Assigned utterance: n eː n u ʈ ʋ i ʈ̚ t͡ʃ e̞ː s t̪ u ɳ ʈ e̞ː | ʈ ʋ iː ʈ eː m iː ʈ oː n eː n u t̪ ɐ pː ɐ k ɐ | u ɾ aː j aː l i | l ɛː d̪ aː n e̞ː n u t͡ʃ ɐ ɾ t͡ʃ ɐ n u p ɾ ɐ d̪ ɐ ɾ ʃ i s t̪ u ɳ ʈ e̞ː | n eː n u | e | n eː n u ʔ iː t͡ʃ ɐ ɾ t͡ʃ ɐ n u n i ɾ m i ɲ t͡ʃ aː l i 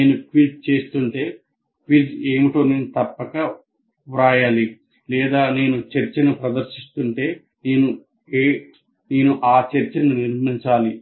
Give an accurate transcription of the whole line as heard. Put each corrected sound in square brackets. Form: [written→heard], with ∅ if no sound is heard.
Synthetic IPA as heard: n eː n u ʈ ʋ i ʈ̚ t͡ʃ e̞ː s t̪ u ɳ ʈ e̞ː | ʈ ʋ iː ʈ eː m [iː→i] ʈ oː n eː n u t̪ ɐ pː ɐ k ɐ | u ɾ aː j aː l i | l ɛː d̪ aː n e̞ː n u t͡ʃ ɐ ɾ t͡ʃ ɐ n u p ɾ ɐ d̪ ɐ ɾ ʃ i s t̪ u ɳ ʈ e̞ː | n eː n u | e | n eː n u ʔ [iː→aː] t͡ʃ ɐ ɾ t͡ʃ ɐ n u n i ɾ m i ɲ t͡ʃ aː l i